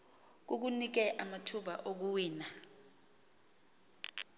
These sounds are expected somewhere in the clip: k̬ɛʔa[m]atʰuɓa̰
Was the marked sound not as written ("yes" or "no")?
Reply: no